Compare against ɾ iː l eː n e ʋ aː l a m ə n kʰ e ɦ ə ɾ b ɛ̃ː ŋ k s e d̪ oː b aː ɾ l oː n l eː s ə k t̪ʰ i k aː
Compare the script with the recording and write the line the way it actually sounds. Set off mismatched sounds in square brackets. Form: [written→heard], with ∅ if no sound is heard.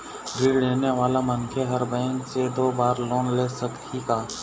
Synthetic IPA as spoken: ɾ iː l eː n e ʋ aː l a m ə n kʰ e ɦ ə ɾ b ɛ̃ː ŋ k s e d̪ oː b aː ɾ l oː n l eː s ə k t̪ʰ i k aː